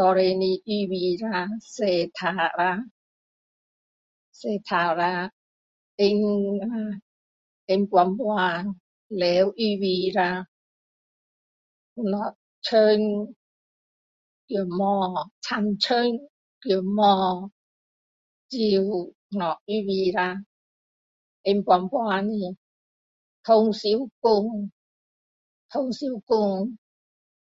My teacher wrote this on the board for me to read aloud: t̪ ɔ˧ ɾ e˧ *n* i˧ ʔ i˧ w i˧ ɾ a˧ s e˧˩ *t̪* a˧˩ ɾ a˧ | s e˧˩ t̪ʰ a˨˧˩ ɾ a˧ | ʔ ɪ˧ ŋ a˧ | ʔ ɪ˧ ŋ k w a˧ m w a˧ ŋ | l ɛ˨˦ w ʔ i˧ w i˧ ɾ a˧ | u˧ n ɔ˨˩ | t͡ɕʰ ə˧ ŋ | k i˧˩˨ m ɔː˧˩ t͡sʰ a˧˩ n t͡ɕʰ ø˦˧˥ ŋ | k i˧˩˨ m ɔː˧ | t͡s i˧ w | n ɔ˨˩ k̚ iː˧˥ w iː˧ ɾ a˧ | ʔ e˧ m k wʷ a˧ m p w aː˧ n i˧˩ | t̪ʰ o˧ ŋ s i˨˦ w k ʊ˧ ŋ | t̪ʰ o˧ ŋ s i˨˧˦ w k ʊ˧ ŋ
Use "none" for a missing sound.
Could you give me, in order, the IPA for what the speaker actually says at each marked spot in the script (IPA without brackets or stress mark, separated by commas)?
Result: n, t̪ʰ